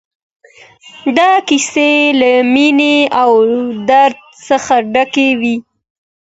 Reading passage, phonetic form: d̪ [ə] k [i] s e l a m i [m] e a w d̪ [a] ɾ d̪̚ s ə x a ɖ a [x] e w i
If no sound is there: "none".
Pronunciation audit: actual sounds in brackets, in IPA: ɑ, i, n, a, k

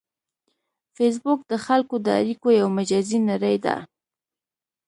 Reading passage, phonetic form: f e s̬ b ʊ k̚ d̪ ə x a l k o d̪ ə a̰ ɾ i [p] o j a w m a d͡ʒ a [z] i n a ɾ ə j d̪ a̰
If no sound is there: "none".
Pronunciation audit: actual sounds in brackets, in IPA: k, z

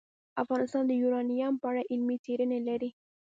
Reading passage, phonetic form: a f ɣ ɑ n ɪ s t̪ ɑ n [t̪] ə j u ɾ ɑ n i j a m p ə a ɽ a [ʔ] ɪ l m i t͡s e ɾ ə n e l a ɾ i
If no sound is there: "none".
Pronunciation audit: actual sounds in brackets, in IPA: d̪, ʔ

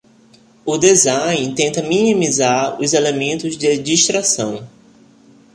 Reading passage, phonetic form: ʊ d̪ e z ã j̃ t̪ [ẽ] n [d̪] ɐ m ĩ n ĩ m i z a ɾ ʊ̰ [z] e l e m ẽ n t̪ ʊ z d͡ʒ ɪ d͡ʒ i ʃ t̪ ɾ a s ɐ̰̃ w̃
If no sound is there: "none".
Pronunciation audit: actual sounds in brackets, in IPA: ẽ, t̪, z

